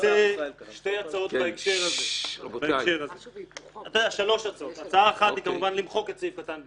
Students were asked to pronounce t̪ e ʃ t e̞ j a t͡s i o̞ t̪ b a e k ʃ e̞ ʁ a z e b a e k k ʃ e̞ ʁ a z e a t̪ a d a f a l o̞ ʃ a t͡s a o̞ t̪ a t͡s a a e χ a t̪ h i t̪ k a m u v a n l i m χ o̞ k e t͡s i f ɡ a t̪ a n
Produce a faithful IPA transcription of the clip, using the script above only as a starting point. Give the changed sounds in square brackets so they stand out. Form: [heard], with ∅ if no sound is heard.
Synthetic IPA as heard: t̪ e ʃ t e̞ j a t͡s [a] o̞ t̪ b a e k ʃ e̞ ʁ a z e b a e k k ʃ e̞ ʁ a z e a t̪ a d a [ʃ] a l o̞ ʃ a t͡s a o̞ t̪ a t͡s a a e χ a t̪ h i [∅] k a m u v a n l i m χ o̞ k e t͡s i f [k] a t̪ a n